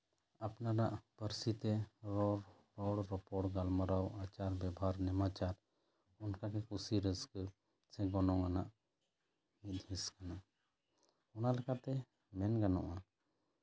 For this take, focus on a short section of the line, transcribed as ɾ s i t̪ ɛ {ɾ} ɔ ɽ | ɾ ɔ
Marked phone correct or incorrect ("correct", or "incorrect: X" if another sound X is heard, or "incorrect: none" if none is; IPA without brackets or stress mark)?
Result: correct